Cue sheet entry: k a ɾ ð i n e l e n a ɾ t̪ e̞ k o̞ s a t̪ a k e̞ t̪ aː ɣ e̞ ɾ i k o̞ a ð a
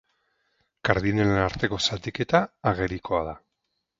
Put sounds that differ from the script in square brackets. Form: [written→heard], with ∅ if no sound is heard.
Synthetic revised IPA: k a ɾ ð i n e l e n a ɾ t̪ e̞ k o̞ s a t̪ [a→i] k e̞ t̪ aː ɣ e̞ ɾ i k o̞ a ð a